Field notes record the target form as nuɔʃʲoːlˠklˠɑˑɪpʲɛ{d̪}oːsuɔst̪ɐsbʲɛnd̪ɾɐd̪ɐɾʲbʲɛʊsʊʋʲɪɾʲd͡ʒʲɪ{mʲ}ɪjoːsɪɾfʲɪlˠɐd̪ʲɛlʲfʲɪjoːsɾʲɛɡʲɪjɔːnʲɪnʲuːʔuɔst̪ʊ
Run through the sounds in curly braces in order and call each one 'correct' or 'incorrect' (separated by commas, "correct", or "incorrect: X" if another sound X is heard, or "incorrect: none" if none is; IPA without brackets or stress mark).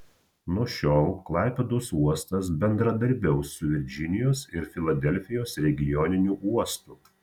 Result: correct, incorrect: nʲ